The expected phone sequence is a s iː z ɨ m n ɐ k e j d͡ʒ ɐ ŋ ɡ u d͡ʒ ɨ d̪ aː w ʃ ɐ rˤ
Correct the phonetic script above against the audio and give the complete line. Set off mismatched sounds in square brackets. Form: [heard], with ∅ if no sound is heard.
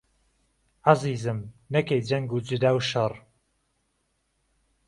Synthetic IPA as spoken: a [z] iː z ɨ m n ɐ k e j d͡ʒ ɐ ŋ ɡ u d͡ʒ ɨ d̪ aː w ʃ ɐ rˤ